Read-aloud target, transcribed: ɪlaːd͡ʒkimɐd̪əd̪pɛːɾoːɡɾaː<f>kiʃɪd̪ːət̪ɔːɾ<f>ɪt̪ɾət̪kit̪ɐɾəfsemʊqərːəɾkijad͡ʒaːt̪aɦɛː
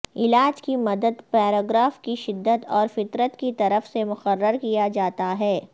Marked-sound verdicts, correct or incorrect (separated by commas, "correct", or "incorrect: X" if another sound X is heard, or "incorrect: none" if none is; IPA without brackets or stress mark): correct, correct